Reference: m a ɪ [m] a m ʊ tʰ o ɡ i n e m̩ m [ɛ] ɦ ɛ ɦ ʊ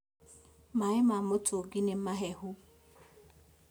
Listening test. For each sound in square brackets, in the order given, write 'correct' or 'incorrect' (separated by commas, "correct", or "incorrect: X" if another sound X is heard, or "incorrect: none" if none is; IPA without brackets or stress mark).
correct, incorrect: a